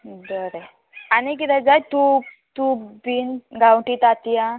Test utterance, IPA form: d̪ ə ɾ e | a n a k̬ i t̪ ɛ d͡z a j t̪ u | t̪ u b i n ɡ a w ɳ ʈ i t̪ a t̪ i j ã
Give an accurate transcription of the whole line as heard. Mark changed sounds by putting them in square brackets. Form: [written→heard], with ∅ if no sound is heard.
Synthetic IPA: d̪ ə ɾ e | a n [a→i] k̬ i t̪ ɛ d͡z a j t̪ u | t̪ u b i n ɡ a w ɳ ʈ i t̪ a t̪ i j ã